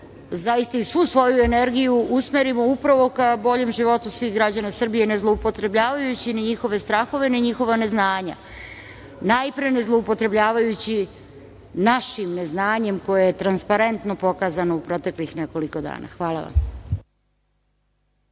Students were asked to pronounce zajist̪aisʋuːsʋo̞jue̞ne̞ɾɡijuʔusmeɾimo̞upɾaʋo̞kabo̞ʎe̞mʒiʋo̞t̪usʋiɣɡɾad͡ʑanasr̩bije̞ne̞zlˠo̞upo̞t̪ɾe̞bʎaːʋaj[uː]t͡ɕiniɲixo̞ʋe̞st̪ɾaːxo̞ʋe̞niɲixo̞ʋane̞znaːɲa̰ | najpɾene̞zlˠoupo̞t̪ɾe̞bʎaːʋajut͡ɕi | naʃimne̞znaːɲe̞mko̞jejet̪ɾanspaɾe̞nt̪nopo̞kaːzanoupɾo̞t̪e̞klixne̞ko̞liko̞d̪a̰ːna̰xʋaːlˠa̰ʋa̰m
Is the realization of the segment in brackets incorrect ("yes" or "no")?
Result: yes